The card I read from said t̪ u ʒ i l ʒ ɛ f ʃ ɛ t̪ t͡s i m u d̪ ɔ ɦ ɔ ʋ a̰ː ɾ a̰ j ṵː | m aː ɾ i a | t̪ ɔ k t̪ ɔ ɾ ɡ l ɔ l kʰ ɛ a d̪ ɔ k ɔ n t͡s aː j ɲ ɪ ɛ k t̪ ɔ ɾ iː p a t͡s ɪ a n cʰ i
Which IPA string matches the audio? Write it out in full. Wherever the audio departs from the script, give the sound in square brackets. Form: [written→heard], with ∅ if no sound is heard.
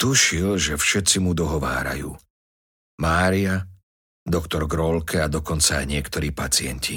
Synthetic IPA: t̪ u [ʒ→ʃ] i l ʒ ɛ f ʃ ɛ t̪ t͡s i m u d̪ ɔ ɦ ɔ ʋ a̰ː ɾ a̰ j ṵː | m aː ɾ i a | [t̪→d̪] ɔ k t̪ ɔ ɾ ɡ [l→ɾ] ɔ l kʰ ɛ a d̪ ɔ k ɔ n t͡s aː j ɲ ɪ ɛ k t̪ ɔ ɾ iː p a t͡s ɪ [a→ɛ] n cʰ i